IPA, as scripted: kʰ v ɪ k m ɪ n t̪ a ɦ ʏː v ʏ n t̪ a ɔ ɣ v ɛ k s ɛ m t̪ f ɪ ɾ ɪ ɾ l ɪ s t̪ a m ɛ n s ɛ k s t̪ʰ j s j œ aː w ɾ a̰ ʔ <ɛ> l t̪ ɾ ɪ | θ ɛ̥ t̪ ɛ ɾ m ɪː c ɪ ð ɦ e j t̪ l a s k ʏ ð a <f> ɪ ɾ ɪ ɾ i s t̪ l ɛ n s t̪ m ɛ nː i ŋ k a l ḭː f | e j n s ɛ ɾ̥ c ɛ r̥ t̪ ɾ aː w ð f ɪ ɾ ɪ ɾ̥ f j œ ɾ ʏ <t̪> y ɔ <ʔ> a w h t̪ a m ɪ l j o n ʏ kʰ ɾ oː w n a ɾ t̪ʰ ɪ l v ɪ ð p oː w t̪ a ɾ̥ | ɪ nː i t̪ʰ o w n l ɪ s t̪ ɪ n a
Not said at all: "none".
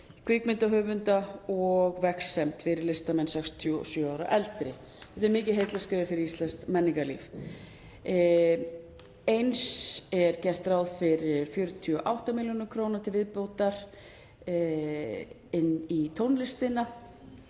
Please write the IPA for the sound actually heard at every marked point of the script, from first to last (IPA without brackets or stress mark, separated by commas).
ɛ, f, t̪ʰ, ʔ